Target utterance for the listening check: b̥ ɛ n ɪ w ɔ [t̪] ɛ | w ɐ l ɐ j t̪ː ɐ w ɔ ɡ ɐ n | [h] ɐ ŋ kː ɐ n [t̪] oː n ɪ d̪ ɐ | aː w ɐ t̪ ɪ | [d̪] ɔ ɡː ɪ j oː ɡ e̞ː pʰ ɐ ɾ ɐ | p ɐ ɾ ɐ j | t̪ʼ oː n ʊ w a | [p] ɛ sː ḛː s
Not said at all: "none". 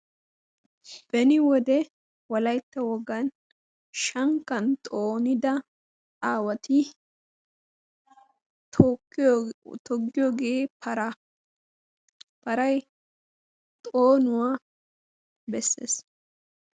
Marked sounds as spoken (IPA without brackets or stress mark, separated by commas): d̪, ʃ, t̪ʼ, t̪, b